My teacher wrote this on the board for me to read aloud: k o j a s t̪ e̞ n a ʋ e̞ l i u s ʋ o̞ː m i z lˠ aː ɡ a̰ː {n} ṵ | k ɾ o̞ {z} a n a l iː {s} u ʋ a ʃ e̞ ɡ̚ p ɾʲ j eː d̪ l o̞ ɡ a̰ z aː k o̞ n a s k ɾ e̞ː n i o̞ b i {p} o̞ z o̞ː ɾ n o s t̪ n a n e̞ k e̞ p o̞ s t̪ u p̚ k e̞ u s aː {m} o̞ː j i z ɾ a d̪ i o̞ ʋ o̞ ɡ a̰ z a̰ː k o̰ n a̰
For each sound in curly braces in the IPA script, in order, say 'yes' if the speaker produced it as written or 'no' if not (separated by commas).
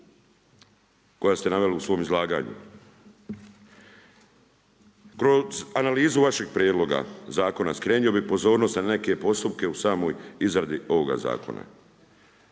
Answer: no, yes, no, yes, yes